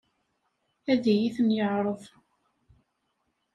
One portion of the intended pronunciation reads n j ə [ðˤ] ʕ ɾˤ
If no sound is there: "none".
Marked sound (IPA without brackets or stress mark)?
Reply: none